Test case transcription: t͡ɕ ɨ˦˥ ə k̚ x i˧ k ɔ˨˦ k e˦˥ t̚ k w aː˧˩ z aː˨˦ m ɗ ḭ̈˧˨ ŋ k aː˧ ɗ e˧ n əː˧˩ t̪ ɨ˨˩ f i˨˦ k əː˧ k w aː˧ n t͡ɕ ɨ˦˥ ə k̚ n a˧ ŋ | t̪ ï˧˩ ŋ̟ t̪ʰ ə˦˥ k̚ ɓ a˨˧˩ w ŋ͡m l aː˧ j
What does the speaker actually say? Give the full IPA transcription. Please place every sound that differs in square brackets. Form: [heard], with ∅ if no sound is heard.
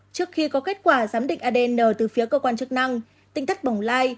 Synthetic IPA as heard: t͡ɕ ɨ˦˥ ə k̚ x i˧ k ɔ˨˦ k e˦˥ t̚ k w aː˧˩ z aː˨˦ m ɗ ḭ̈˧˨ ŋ [ʔ] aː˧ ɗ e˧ n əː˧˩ t̪ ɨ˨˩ f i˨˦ k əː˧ k w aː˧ n t͡ɕ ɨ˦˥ ə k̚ n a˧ ŋ | t̪ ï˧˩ ŋ̟ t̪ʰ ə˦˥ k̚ ɓ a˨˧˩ w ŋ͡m l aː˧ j